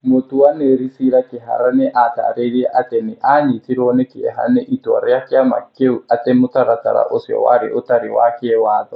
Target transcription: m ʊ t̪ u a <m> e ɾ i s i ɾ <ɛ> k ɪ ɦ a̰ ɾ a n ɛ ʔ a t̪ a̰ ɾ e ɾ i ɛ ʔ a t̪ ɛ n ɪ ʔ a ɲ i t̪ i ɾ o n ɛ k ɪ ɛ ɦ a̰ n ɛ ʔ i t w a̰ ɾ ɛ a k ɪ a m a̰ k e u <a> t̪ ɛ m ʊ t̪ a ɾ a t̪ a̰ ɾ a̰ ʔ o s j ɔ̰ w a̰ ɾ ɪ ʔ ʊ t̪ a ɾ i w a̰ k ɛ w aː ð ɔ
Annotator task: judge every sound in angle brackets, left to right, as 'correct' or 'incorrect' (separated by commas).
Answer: incorrect, incorrect, correct